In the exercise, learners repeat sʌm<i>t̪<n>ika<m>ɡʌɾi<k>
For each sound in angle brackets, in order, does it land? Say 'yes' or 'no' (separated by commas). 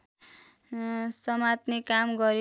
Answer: no, yes, yes, no